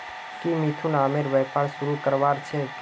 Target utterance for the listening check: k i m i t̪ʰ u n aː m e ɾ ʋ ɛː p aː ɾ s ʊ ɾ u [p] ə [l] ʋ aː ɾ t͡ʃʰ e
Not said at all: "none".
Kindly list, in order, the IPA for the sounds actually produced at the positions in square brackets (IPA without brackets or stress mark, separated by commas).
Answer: k, ɾ